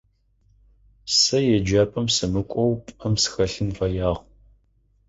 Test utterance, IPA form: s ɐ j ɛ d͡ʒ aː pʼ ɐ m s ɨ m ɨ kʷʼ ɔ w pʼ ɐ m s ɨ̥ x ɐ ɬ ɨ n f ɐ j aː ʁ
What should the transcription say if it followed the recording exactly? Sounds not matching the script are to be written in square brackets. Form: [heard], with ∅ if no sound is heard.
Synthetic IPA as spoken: s ɐ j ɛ d͡ʒ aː pʼ ɐ m s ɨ m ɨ kʷʼ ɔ w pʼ ɐ m s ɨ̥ x ɐ ɬ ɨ n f ɐ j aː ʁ